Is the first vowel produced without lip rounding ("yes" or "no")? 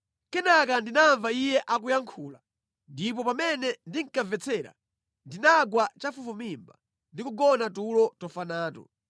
yes